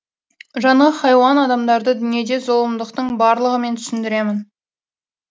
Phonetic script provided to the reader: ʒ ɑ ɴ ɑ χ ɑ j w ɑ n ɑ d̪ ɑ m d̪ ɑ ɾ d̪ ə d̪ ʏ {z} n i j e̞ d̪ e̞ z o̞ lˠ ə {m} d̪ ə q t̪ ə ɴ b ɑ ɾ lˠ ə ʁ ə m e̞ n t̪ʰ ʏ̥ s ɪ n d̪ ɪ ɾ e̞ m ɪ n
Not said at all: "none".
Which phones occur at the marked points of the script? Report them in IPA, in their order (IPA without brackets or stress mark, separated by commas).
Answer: none, m